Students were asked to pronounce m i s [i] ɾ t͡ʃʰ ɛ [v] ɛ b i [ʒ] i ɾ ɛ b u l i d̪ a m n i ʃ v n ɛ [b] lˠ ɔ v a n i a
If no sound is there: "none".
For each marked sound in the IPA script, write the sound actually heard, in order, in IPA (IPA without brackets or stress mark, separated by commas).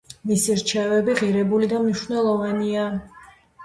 i, v, ʁ, none